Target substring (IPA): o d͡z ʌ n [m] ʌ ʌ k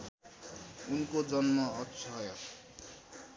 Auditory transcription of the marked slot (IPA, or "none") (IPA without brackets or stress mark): m